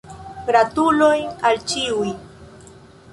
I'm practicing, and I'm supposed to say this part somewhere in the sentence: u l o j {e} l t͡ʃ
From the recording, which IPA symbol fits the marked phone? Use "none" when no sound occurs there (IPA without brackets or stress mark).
a